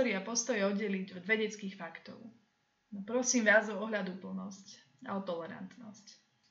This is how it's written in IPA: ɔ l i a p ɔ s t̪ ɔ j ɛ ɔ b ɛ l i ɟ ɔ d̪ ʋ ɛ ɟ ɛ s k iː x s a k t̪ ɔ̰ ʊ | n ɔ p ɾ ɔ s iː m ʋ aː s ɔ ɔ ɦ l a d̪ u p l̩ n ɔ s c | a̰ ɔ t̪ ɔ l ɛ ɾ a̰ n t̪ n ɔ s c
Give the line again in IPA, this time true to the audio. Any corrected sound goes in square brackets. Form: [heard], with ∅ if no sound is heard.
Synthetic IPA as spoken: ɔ [ɾ] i a p ɔ s t̪ ɔ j ɛ ɔ [ɟ] ɛ l i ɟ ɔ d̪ ʋ ɛ ɟ ɛ [t͡s] k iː x [f] a k t̪ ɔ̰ ʊ | n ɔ p ɾ ɔ s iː m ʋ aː [z] ɔ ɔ ɦ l a d̪ u p l̩ n ɔ s c | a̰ ɔ t̪ ɔ l ɛ ɾ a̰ n t̪ n ɔ s c